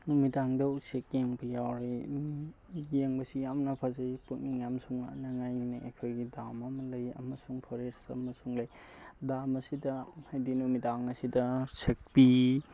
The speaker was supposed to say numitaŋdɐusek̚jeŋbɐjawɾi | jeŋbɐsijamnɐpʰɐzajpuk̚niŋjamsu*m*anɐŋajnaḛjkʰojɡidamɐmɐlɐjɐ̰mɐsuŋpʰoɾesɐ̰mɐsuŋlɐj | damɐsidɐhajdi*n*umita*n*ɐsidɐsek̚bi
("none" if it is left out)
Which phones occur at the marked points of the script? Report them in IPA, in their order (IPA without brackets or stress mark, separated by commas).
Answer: ŋ, n, ŋ